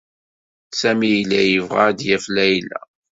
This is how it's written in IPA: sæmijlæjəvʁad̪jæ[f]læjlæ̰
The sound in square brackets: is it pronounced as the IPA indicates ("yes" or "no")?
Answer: yes